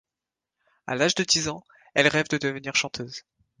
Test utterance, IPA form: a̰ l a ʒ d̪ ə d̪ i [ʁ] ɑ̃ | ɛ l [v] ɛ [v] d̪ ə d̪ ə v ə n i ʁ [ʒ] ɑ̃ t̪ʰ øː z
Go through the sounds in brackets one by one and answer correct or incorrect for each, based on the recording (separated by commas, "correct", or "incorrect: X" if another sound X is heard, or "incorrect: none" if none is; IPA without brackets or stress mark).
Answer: incorrect: z, incorrect: ʁ, correct, incorrect: ʃ